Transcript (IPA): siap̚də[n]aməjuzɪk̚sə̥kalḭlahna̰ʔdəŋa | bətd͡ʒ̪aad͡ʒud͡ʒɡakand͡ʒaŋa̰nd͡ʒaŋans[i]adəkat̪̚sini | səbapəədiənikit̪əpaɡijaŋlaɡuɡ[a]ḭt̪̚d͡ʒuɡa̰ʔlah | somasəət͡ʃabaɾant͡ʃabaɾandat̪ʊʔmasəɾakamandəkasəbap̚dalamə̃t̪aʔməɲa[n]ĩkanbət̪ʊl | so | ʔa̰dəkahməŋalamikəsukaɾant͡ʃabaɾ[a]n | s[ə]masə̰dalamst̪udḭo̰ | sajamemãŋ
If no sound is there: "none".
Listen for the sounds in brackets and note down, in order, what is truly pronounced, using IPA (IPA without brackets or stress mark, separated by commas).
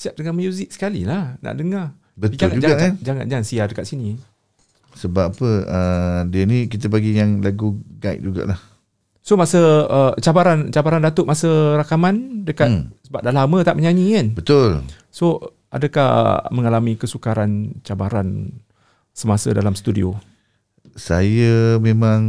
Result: ŋ, i, a, ɲ, a, ə